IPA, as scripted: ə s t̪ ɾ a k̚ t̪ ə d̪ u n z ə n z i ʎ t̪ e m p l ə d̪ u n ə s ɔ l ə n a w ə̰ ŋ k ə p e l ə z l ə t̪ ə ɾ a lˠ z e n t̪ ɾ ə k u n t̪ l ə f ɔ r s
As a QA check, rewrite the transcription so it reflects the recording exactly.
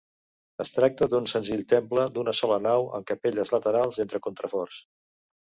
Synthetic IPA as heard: ə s t̪ ɾ a k̚ t̪ ə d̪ u n s ə n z i ʎ t̪ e m p l ə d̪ u n ə s ɔ l ə n a w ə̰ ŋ k ə p e ʎ ə z l ə t̪ ə ɾ a lˠ z e n t̪ ɾ ə k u n t̪ ɾ ə f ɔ r s